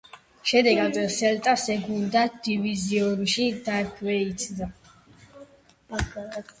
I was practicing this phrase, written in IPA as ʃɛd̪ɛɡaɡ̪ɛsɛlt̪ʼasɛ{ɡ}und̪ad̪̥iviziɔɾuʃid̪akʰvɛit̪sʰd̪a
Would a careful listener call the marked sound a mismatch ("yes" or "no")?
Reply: no